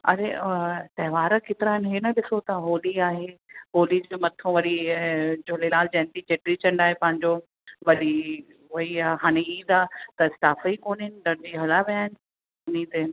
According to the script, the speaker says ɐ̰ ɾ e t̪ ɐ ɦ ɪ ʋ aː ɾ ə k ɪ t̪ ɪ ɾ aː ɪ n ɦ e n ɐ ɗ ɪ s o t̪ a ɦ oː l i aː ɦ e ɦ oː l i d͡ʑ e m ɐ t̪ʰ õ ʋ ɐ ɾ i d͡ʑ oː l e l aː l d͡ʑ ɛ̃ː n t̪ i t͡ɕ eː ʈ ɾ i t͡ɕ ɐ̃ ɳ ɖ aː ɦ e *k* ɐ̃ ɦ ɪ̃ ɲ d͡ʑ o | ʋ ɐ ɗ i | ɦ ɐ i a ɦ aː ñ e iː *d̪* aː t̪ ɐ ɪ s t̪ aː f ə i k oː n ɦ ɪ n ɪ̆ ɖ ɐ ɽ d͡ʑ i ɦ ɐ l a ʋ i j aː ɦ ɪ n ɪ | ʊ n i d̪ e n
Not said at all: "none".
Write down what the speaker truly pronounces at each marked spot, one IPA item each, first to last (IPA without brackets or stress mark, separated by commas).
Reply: p, d̪